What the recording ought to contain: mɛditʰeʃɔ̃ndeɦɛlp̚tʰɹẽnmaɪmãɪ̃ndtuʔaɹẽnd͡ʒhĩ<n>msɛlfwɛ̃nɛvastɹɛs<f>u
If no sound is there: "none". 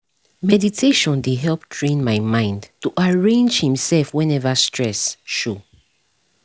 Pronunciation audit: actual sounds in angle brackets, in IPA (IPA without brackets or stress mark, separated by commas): none, ʃ